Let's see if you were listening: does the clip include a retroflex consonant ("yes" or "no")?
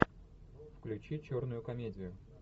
no